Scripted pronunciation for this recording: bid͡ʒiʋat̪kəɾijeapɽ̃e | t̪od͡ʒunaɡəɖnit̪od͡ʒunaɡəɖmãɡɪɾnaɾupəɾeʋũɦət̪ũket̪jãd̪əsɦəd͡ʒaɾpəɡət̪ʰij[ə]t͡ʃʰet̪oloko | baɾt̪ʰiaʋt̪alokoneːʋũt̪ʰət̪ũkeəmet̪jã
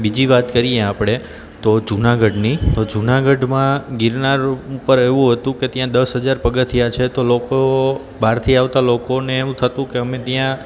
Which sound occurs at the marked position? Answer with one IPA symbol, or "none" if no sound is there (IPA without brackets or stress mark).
a